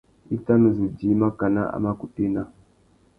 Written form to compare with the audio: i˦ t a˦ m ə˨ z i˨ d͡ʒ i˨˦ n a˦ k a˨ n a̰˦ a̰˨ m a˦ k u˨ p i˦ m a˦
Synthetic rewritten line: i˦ t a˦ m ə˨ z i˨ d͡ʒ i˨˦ m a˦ k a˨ n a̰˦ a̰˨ m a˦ k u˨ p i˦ n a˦